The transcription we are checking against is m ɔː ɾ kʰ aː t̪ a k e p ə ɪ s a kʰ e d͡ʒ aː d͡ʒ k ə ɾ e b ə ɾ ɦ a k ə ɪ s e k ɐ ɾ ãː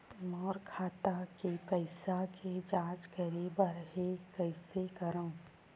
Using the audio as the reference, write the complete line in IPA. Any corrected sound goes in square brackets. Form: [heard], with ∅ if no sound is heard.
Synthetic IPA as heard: m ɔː ɾ kʰ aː t̪ a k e p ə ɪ s a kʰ e d͡ʒ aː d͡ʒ k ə ɾ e b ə ɾ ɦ [e] k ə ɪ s e k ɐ ɾ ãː